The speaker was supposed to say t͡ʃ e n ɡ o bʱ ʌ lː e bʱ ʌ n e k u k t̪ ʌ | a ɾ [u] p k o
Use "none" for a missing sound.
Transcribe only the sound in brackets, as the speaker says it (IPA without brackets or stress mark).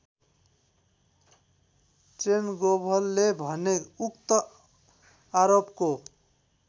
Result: o